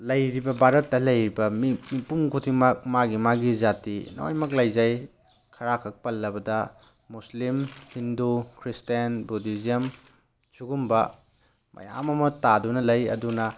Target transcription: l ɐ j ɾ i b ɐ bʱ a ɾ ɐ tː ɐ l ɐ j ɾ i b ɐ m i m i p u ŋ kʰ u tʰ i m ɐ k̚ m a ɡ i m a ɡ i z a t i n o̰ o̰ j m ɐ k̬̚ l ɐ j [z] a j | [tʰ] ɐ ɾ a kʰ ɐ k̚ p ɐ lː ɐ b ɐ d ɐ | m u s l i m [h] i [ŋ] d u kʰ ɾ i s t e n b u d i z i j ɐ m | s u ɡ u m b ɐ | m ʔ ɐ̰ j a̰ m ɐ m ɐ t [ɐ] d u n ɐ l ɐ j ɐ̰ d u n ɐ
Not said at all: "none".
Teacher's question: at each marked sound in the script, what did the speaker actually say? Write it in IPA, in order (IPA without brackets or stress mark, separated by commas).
z, kʰ, h, n, a